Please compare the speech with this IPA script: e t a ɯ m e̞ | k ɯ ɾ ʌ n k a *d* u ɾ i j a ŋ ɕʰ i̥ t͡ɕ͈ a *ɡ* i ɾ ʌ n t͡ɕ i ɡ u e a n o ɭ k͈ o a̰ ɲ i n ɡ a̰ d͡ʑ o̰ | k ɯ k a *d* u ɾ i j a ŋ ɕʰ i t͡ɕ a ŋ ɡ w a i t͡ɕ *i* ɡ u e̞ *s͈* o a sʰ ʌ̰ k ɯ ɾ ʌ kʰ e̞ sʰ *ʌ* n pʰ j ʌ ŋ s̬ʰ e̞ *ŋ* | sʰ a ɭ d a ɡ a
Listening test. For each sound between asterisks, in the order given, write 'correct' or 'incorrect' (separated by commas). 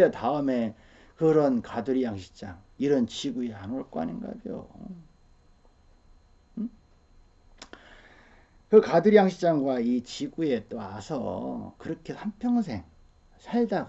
correct, incorrect, correct, correct, incorrect, incorrect, correct